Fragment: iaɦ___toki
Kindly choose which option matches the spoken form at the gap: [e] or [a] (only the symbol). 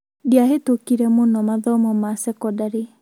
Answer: e